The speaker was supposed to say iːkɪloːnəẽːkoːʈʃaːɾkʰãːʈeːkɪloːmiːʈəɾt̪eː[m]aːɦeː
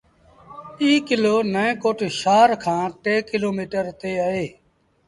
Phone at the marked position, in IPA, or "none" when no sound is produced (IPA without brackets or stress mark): none